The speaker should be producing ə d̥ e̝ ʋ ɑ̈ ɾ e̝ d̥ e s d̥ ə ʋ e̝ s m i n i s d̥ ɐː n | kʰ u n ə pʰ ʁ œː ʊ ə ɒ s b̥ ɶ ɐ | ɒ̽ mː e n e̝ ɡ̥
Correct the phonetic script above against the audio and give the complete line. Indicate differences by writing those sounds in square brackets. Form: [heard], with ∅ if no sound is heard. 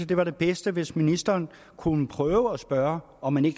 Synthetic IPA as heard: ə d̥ e̝ ʋ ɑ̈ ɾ e̝ [b̥] e s d̥ ə ʋ e̝ s m i n i s d̥ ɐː n | kʰ u n ə pʰ ʁ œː ʊ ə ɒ s b̥ ɶ ɐ | ɒ̽ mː [æ] n e̝ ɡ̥